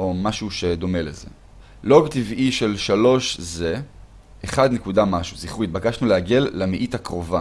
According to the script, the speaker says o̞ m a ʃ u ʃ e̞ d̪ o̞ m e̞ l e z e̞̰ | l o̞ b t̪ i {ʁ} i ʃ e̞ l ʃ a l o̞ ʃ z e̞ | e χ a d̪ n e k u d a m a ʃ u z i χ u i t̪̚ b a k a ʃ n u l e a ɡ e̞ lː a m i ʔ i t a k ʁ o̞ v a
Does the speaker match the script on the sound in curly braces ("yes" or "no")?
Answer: no